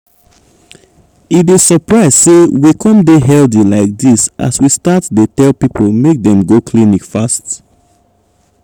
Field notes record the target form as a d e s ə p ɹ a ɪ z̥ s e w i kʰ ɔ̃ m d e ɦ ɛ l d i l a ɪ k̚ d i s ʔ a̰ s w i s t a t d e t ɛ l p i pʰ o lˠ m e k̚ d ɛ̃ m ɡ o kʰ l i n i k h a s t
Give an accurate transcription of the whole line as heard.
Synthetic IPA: i d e s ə p ɹ a ɪ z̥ s e w i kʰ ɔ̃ m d e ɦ ɛ l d i l a ɪ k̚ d i s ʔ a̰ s w i s t a t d e t ɛ l p i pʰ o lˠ m e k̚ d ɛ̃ m ɡ o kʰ l i n i k f a s t

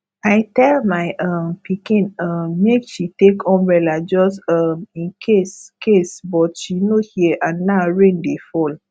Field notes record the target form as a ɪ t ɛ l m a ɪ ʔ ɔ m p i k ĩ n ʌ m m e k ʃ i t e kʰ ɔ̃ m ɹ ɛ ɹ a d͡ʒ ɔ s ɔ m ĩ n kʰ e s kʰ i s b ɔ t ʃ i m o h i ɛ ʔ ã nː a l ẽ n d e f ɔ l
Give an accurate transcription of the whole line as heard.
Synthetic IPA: a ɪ t ɛ l m a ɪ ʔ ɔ m p i k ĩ n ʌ m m e k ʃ i t e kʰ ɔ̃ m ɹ ɛ l a d͡ʒ ɔ s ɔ m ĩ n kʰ e s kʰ e s b ɔ t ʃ i n o h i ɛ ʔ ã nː a ɹ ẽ n d e f ɔ l

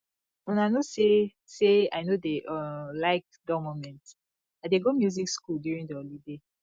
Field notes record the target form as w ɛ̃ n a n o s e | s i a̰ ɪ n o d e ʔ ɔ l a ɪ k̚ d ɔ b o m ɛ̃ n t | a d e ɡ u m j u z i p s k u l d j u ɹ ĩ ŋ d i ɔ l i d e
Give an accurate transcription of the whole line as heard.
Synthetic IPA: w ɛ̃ n a n o s e | s e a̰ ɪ n o d e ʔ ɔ l a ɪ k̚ d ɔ m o m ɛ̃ n t | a d e ɡ o m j u z i k s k u l d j u ɹ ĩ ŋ d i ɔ l i d e

